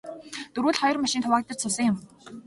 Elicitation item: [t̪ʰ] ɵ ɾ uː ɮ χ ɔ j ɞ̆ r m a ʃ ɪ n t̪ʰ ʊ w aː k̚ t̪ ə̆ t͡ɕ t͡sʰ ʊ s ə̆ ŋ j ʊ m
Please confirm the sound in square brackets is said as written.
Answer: no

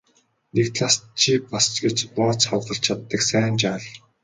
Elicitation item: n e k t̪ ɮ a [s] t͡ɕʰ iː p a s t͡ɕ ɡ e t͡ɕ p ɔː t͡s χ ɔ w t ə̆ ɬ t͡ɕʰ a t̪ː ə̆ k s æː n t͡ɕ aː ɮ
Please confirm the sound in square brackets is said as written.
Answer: yes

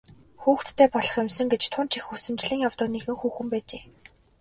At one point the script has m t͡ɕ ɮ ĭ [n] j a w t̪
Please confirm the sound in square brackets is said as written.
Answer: no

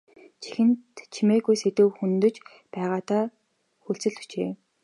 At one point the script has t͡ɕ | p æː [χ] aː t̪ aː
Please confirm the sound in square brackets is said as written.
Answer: no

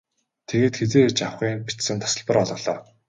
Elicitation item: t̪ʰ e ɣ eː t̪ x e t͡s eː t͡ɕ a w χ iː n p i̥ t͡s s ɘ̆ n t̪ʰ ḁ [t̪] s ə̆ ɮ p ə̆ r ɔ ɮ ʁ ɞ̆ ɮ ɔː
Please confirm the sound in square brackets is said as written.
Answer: no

